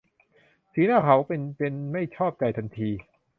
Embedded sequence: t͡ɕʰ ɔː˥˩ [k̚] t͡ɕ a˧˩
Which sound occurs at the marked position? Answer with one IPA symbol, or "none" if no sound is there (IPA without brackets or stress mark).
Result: p̚